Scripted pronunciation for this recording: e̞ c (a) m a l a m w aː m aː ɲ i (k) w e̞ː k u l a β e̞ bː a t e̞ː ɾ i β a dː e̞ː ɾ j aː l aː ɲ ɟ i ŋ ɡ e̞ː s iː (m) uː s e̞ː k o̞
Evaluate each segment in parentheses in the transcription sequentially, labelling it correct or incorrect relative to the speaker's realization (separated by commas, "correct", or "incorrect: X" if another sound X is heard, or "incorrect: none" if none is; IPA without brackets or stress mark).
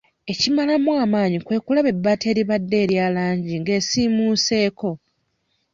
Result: incorrect: i, correct, correct